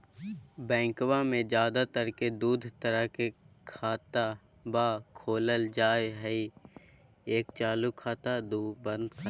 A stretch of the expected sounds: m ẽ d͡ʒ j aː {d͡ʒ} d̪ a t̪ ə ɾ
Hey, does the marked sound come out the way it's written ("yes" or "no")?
no